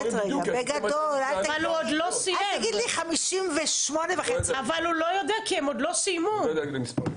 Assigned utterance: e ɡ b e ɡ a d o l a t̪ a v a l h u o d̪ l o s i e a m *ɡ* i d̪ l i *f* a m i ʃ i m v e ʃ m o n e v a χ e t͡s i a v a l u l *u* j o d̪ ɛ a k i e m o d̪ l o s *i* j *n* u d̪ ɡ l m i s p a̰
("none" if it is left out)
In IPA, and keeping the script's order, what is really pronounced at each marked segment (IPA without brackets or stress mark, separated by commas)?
ɡ, χ, o, i, m